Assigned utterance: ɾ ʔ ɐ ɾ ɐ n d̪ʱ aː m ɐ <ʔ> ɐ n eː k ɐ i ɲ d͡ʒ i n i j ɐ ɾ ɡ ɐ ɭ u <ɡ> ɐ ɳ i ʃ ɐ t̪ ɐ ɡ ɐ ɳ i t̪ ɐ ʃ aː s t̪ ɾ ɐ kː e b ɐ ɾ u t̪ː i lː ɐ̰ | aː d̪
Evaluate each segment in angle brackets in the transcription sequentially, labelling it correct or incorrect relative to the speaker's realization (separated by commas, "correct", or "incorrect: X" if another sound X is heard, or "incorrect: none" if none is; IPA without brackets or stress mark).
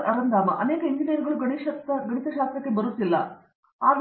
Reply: correct, correct